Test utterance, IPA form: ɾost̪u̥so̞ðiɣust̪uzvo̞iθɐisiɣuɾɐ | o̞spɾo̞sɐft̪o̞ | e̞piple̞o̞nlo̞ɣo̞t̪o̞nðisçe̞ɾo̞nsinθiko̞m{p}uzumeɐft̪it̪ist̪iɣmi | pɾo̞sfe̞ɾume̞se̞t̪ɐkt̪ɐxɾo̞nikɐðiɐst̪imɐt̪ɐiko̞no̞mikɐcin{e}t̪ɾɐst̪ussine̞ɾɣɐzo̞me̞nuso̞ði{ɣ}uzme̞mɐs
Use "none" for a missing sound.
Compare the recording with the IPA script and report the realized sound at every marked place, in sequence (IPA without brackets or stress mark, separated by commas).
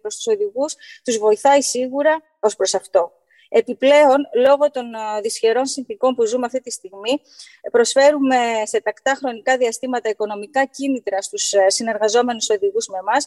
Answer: p, i, ɣ